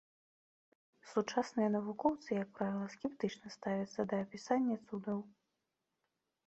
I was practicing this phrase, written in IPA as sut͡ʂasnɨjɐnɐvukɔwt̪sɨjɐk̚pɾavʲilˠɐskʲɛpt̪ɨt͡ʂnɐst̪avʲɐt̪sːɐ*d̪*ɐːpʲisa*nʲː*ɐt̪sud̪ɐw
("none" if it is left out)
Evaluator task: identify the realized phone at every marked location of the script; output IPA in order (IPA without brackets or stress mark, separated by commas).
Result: d̪, nʲː